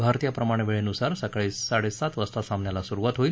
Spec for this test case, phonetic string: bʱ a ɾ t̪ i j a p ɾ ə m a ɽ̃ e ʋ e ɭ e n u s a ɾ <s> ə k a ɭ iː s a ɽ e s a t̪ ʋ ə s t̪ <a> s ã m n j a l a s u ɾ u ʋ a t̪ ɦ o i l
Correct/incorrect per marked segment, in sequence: correct, correct

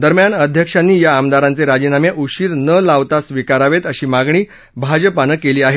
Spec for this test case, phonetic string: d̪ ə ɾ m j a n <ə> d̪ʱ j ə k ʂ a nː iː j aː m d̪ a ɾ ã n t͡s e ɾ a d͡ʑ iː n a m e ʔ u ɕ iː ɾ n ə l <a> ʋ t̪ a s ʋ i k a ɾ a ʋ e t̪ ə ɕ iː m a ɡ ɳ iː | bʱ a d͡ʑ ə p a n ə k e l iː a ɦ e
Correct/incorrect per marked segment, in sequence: correct, correct

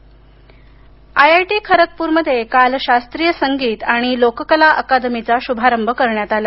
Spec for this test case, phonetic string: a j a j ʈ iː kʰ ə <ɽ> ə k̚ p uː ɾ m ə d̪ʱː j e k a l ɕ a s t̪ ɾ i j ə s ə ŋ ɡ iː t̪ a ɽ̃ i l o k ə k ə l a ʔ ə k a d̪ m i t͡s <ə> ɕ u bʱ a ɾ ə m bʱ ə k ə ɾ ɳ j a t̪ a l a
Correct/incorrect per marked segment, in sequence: incorrect, incorrect

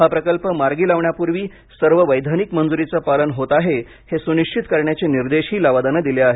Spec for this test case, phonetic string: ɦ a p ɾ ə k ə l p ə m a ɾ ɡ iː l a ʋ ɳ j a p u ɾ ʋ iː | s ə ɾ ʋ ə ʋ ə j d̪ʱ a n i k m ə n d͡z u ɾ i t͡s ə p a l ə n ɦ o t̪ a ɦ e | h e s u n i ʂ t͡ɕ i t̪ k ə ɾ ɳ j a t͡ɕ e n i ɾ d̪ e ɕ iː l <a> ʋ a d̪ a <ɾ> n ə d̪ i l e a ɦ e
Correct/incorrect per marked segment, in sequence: correct, incorrect

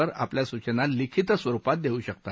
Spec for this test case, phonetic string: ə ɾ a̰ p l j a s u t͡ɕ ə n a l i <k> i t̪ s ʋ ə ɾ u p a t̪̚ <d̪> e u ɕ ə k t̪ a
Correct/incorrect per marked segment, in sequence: incorrect, correct

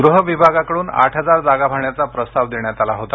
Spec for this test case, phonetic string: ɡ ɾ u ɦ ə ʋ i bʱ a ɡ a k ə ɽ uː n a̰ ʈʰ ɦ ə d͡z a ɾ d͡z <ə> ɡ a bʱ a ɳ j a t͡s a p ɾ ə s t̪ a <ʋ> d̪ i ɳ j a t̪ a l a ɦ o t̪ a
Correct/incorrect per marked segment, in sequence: incorrect, correct

